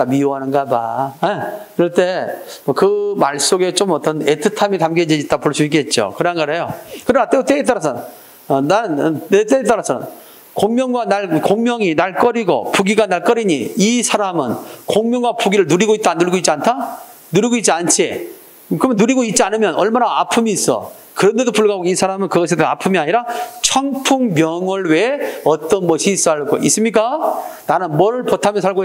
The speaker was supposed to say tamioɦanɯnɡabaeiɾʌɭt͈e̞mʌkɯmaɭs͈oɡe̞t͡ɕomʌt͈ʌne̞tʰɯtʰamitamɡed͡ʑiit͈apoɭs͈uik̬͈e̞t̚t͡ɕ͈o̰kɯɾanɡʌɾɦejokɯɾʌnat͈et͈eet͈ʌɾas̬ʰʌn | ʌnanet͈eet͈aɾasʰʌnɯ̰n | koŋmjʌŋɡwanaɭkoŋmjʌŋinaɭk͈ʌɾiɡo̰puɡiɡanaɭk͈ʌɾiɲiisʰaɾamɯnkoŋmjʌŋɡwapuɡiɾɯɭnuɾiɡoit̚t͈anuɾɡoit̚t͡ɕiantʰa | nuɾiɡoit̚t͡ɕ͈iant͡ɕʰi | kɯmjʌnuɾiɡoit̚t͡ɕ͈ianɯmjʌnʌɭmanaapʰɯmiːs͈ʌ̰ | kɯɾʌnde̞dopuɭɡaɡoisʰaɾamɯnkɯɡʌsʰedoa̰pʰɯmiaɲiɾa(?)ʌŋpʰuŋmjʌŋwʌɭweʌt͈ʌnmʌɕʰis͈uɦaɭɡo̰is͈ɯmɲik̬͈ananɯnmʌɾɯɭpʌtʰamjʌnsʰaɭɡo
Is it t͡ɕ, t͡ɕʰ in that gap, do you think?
t͡ɕʰ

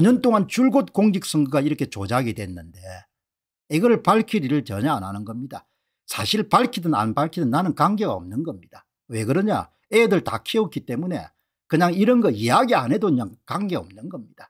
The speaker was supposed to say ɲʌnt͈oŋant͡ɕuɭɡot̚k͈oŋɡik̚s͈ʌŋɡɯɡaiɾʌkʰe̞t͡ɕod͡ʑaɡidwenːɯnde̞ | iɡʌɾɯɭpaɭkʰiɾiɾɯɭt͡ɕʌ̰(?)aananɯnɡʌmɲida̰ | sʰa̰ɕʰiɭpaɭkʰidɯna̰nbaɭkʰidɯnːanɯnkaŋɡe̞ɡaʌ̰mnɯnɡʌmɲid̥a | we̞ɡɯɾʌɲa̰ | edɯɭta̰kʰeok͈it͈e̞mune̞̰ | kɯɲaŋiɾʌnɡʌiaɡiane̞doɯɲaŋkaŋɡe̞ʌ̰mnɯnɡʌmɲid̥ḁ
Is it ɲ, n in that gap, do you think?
ɲ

